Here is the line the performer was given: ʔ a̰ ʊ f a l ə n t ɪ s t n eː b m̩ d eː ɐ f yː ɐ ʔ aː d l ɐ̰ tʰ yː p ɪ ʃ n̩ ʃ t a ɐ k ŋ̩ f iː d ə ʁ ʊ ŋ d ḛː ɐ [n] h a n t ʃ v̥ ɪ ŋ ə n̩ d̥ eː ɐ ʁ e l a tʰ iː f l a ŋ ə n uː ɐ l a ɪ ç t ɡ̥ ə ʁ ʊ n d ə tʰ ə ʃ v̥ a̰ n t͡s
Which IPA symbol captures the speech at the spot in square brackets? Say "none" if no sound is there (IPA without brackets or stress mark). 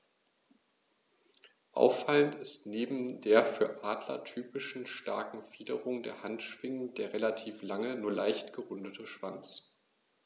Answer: none